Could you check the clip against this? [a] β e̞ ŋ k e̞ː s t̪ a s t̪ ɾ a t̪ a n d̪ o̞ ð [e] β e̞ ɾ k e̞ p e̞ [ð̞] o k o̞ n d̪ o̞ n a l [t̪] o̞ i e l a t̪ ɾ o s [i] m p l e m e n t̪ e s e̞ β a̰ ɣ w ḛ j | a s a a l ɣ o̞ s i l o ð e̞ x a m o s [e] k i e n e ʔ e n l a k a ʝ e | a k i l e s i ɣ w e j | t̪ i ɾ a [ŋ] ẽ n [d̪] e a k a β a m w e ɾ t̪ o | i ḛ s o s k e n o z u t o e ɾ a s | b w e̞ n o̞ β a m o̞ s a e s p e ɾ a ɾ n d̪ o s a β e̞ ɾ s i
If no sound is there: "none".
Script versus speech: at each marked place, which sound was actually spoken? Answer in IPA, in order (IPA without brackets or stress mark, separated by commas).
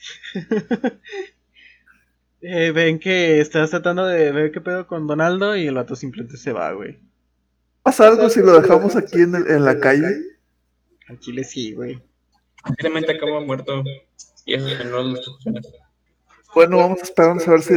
e, e, ð̞, d̪, i, a, m, t̪